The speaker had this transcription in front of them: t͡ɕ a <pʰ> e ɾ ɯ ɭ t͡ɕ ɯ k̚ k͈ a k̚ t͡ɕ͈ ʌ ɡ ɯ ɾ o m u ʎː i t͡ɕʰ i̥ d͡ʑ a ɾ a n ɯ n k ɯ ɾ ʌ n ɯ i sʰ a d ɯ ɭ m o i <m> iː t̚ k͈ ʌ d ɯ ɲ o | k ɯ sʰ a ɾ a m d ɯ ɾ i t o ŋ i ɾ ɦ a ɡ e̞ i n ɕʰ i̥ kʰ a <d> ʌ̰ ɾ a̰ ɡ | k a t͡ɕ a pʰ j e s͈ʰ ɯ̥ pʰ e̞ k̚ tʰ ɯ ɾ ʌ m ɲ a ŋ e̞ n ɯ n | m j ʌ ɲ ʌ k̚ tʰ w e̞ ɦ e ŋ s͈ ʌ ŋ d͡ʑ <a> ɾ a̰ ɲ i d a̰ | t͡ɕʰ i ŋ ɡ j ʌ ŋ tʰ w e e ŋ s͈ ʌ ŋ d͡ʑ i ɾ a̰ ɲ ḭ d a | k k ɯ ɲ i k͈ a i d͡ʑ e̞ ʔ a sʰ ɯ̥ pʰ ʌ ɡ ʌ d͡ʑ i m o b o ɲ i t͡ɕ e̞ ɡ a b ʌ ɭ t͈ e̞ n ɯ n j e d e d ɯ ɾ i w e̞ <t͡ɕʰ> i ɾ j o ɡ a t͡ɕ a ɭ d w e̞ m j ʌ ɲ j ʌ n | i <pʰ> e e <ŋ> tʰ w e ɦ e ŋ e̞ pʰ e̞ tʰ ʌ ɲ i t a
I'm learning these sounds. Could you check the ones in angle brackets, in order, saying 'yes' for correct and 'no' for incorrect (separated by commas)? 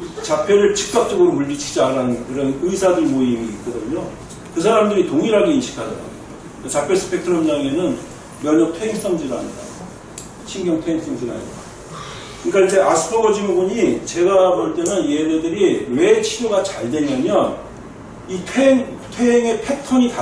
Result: yes, yes, yes, no, yes, no, yes